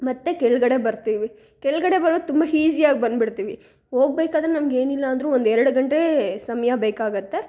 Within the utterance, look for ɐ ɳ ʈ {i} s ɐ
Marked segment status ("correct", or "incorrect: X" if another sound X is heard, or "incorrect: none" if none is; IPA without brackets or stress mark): incorrect: e